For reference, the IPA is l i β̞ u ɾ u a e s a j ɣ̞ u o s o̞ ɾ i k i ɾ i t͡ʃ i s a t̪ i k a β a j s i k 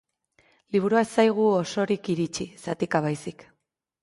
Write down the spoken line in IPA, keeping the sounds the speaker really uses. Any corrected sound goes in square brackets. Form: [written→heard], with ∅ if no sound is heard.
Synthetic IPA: l i β̞ u ɾ u a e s a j ɣ̞ u o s o̞ ɾ i k i ɾ i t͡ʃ i s a t̪ i k a β a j s i k